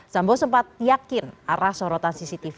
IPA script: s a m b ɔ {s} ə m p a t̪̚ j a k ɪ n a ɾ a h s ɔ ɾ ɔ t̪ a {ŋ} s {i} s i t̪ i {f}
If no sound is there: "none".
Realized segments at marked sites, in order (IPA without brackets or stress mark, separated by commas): s, n, i, f